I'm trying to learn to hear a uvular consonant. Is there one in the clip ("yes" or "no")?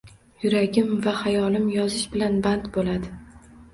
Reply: no